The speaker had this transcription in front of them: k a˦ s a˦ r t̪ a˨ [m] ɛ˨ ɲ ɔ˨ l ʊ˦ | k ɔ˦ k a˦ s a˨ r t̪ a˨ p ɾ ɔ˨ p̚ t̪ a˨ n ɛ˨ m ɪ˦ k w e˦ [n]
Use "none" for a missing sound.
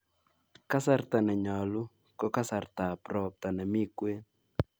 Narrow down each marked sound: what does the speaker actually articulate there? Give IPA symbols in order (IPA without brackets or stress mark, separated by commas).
n, n